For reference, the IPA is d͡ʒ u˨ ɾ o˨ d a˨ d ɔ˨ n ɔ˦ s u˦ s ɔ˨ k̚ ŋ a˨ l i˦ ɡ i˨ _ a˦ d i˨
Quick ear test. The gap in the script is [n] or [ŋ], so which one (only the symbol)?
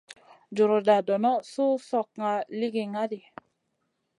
ŋ